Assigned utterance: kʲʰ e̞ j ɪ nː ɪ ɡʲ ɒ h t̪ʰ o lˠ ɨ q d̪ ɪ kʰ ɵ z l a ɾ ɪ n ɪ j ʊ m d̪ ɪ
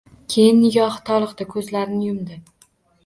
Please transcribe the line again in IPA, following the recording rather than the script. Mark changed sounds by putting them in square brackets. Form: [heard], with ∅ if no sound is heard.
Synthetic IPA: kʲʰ e̞ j ɪ nː ɪ ɡʲ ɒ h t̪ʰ [ɒ] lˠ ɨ q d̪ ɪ kʰ ɵ z l a ɾ ɪ n ɪ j ʊ m d̪ ɪ